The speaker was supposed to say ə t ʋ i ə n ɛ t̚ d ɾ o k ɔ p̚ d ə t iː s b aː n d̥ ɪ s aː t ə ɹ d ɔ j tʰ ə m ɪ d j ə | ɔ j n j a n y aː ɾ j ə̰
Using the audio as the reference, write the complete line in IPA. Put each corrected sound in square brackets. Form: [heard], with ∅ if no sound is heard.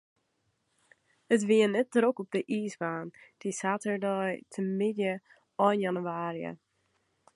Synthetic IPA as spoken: ə t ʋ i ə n ɛ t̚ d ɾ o k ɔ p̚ d ə [ʔ] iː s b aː n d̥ [i] s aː t ə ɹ d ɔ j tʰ ə m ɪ d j ə | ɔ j n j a n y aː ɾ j ə̰